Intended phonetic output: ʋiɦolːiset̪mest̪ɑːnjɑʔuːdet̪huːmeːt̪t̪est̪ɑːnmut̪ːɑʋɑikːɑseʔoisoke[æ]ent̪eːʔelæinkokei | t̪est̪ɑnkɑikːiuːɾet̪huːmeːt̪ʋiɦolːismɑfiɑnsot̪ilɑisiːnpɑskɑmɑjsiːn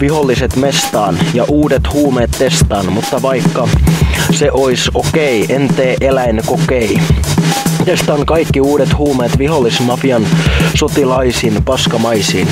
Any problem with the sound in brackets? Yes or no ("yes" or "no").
yes